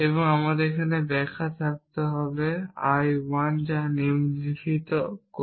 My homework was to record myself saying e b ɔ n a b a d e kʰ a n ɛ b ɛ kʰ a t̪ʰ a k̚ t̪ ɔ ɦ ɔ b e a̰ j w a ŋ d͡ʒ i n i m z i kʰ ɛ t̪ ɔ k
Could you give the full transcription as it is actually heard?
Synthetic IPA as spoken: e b ɔ ŋ a m a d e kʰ a n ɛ b ɛ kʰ a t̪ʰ a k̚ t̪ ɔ ɦ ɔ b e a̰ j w a n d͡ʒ a n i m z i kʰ i t̪ ɔ k